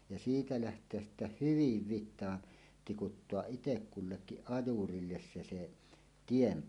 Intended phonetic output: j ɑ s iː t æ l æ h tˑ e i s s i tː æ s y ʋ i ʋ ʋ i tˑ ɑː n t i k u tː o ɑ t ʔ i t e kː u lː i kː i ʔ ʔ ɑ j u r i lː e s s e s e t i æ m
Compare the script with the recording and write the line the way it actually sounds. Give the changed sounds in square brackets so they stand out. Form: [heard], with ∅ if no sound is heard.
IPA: j ɑ s iː t æ l æ h tˑ e [æ] s s i tː æ [h] y ʋ i ʋ ʋ i tˑ ɑː n t i k u tː o ɑ [ʔ] ʔ i t e kː u lː [e] kː i ʔ ʔ ɑ j u r i lː e s s e s e t i [e] m